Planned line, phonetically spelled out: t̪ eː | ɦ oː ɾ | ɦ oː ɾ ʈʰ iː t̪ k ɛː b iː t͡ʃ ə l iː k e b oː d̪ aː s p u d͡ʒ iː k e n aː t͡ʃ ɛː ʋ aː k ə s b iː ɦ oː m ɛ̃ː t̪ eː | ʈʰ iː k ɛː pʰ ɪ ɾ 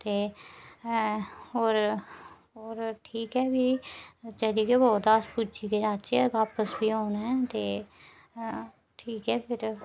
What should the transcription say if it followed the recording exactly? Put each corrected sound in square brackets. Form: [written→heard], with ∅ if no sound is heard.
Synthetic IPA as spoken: t̪ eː | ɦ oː ɾ | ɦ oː ɾ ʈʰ iː [t̪→∅] k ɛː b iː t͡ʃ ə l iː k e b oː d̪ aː s p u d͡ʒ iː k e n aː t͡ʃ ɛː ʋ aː [k→p] ə s b iː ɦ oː [m→n] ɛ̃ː t̪ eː | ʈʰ iː k ɛː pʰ ɪ ɾ